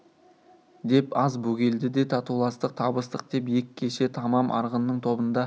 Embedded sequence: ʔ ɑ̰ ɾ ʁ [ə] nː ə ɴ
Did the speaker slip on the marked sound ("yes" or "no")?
no